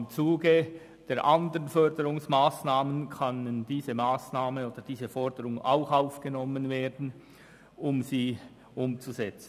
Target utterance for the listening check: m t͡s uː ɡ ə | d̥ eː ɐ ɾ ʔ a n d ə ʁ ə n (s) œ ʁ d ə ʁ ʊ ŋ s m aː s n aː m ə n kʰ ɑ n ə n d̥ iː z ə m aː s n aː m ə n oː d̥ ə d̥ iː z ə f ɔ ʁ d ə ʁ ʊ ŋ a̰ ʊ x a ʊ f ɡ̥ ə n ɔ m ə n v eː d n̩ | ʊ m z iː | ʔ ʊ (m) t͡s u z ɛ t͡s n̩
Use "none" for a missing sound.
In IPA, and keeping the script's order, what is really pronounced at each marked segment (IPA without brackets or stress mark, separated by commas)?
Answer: f, m